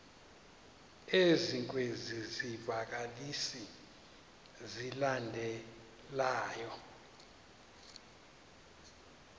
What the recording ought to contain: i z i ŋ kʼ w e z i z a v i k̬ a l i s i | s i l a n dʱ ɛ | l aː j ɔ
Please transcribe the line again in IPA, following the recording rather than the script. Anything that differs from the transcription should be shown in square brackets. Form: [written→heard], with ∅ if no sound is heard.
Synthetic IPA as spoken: [i→e] z i ŋ kʼ w e z i z [a→i] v [i→a] k̬ a l i s i | [s→z] i l a n dʱ ɛ | l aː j ɔ